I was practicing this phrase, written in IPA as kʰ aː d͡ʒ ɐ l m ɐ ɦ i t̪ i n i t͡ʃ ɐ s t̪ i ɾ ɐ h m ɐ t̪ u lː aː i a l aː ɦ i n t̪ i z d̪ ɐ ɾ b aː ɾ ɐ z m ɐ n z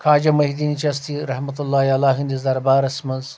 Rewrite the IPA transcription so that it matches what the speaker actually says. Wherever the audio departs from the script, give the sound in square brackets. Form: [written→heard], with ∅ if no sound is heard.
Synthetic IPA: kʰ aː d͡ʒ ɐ [l→∅] m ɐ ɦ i [t̪→d̪] i n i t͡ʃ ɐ s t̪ i ɾ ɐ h m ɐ t̪ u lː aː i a l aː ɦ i n [t̪→d̪] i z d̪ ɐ ɾ b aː ɾ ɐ [z→s] m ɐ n z